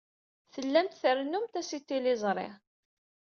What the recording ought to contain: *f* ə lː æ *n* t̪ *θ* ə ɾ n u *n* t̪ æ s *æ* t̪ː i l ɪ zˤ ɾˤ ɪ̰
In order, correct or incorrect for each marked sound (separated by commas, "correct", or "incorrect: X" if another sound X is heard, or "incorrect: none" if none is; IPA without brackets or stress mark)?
incorrect: θ, incorrect: m, correct, incorrect: m, incorrect: i